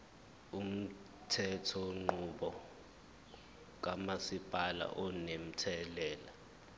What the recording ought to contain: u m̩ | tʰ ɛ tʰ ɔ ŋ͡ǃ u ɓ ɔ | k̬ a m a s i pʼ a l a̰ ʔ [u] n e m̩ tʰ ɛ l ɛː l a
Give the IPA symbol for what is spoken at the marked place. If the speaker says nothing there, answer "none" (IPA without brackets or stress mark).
ɔ